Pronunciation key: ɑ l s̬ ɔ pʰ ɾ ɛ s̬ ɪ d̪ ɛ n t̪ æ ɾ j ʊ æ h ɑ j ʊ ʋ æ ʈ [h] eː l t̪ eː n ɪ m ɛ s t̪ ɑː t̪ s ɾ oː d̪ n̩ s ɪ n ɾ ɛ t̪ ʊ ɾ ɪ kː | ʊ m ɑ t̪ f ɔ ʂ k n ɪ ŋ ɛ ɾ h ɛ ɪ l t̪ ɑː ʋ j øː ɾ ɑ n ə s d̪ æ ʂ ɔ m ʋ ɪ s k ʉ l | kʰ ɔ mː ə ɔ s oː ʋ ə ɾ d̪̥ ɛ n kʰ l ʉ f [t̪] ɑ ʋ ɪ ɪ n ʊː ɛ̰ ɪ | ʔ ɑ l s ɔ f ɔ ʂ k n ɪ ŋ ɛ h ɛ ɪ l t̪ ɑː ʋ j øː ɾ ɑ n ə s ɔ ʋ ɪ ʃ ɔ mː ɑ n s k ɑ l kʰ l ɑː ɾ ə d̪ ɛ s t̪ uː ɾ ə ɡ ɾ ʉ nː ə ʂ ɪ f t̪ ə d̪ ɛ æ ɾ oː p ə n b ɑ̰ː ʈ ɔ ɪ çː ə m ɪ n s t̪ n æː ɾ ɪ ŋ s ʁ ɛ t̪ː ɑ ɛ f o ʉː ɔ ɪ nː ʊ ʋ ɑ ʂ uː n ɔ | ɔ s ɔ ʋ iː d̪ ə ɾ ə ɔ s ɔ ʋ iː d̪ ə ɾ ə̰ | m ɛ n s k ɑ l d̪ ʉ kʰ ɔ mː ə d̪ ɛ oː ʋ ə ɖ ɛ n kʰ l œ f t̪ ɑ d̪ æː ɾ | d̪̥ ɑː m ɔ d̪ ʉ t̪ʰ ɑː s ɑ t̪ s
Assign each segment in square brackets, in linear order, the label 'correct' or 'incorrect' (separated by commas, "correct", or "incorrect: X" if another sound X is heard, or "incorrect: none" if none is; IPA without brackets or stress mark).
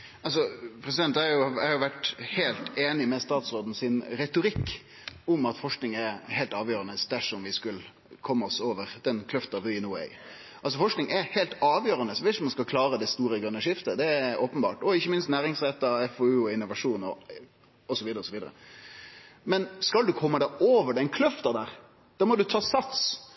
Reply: correct, correct